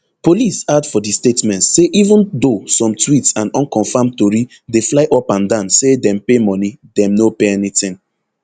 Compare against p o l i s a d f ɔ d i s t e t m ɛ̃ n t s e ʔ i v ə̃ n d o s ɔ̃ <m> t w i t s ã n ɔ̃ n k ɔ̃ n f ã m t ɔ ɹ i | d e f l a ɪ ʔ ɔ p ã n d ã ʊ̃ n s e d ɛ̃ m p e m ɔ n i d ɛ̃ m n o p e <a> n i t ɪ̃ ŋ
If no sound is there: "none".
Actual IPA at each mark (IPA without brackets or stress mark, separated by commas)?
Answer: m, ɛ